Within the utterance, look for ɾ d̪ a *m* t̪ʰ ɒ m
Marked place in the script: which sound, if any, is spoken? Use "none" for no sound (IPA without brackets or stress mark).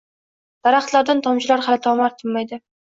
n